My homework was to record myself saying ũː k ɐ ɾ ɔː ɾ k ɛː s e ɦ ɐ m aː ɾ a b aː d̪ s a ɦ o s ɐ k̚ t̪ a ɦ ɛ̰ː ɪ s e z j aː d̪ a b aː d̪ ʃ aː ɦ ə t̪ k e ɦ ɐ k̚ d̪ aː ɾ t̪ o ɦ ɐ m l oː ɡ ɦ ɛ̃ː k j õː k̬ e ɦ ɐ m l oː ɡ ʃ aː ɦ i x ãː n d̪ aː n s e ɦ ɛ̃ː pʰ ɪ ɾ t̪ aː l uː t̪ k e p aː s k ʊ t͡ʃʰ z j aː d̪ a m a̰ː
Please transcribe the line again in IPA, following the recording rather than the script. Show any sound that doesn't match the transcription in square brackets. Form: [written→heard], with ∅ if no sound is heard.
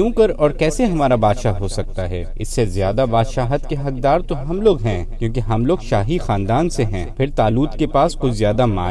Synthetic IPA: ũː k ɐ ɾ ɔː ɾ k ɛː s e ɦ ɐ m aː ɾ a b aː d̪ [s→ʃ] a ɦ o s ɐ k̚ t̪ a ɦ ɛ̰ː ɪ [s→sː] e z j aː d̪ a b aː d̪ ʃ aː ɦ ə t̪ k e ɦ ɐ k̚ d̪ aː ɾ t̪ o ɦ ɐ m l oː ɡ ɦ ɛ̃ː k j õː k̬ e ɦ ɐ m l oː ɡ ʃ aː ɦ i x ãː n d̪ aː n s e ɦ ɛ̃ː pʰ ɪ ɾ t̪ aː l uː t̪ k e p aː s k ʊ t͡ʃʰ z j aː d̪ a m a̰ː